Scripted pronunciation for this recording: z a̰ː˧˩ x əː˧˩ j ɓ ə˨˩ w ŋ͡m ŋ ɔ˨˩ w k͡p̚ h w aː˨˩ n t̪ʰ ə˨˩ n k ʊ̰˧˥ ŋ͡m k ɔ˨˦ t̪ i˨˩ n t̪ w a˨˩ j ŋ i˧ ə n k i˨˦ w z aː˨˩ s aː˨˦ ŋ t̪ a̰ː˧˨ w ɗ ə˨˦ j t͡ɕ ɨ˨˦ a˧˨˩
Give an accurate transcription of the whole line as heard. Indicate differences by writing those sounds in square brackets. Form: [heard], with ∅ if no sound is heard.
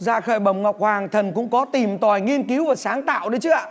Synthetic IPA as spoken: z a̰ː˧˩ x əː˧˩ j ɓ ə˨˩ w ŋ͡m ŋ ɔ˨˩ w k͡p̚ h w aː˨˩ [ŋ] t̪ʰ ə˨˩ n k ʊ̰˧˥ ŋ͡m k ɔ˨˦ t̪ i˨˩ [m] t̪ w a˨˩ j ŋ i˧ ə n k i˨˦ w [v] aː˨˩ s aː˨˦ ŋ t̪ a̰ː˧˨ w ɗ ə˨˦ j t͡ɕ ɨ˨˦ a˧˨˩